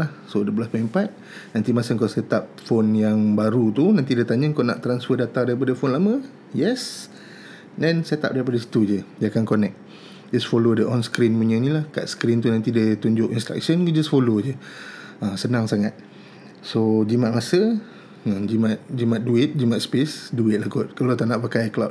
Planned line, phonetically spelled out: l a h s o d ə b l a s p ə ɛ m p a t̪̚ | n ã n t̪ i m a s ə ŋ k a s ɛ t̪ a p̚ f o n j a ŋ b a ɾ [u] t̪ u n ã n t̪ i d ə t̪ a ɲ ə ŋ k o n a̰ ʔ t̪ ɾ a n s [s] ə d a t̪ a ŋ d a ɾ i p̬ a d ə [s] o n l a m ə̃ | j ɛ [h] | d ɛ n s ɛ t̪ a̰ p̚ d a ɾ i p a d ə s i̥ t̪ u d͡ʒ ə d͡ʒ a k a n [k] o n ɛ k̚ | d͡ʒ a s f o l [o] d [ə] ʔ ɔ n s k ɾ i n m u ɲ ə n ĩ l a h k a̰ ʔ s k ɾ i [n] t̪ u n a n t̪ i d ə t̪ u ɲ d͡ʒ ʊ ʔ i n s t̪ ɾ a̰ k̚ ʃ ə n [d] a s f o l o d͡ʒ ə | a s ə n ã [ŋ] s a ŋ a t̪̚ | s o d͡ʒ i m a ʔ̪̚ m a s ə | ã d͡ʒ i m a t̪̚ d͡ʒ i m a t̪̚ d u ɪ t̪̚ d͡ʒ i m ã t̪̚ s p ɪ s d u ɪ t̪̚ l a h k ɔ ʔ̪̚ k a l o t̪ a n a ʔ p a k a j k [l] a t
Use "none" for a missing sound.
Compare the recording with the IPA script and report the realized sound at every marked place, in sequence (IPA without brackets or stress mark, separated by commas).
u, f, f, s, k, o, ə, n, d͡ʒ, ŋ, l